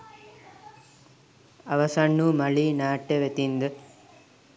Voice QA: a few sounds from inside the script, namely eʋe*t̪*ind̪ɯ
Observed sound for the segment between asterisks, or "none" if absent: t̪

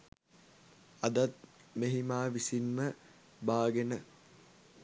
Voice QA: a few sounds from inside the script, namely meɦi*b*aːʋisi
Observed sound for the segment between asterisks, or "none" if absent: m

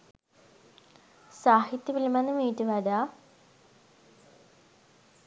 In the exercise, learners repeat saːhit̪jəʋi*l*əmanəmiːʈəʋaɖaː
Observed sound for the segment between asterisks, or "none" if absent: l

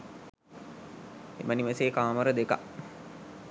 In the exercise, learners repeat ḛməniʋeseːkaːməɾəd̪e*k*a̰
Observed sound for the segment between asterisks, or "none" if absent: k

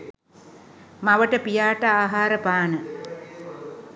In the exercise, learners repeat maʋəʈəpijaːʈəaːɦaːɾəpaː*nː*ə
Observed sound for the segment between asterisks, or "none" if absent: n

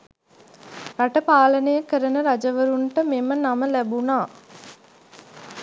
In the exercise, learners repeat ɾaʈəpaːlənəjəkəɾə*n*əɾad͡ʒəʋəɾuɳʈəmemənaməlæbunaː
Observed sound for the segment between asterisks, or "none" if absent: n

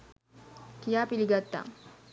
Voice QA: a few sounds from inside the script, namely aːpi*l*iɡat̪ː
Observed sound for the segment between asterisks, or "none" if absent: l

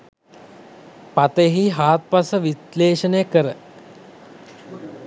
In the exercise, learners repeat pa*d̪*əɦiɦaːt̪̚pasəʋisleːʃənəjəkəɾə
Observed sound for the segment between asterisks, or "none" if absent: t̪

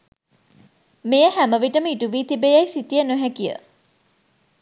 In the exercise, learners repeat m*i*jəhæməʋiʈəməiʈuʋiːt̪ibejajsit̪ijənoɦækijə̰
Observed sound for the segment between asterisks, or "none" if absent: e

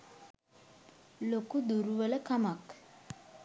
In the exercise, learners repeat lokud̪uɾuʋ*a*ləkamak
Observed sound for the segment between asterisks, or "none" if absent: ə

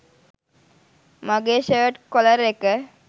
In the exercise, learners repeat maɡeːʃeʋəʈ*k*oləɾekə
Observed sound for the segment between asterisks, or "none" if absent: k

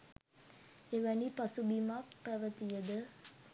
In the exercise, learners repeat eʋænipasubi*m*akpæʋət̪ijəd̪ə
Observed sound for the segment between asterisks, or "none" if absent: m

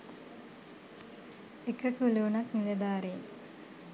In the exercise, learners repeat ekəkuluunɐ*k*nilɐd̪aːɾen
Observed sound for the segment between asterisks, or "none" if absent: k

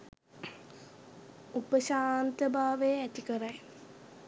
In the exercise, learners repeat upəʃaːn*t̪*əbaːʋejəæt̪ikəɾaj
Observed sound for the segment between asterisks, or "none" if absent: t̪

